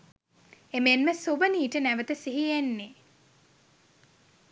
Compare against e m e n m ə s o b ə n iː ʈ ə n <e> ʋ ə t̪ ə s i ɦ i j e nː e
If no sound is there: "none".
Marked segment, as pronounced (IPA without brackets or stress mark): æ